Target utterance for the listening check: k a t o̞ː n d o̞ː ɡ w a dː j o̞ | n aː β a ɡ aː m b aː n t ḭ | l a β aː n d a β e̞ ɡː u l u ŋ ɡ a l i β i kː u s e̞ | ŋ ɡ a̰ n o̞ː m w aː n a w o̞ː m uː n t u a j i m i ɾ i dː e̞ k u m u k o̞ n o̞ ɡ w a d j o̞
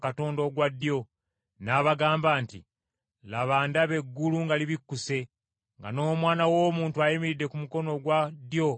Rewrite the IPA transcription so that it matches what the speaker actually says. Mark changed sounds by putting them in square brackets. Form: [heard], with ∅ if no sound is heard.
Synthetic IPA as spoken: k a t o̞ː n d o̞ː ɡ w a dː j o̞ | n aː β a ɡ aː m b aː n t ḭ | l a β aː n d a β e̞ ɡː u l u ŋ ɡ a l i β i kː u s e̞ | ŋ ɡ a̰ n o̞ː m w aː n a w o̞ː m uː n t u a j i m i ɾ i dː e̞ k u m u k o̞ n o̞ ɡ w a d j o̞

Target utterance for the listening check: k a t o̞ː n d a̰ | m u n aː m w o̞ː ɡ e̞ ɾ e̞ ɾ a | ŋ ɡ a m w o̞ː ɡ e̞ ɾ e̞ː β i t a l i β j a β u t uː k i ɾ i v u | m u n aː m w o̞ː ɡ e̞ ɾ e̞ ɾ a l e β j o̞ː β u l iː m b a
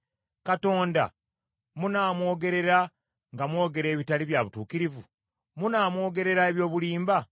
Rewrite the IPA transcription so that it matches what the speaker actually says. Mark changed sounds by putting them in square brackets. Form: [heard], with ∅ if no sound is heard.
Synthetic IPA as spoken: k a t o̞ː n d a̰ | m u n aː m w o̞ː ɡ e̞ ɾ e̞ ɾ a | ŋ ɡ a m w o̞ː ɡ e̞ ɾ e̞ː β i t a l i β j a β u t uː k i ɾ i v u | m u n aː m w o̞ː ɡ e̞ ɾ e̞ ɾ a [∅] e β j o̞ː β u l iː m b a

